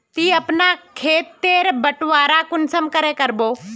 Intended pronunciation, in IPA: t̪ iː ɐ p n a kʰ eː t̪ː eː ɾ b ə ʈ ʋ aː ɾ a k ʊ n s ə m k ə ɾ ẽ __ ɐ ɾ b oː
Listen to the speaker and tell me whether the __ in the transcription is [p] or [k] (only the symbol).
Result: k